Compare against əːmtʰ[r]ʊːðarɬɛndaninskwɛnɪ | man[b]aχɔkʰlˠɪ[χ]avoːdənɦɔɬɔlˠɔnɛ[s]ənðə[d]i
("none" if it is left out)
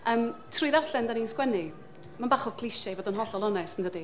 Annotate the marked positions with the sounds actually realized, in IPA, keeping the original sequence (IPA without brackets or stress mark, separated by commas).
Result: r, b, ʃ, s, d